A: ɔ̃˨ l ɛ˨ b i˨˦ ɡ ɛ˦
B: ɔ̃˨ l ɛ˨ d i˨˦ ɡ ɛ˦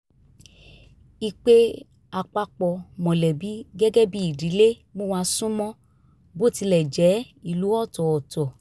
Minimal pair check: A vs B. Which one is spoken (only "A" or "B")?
A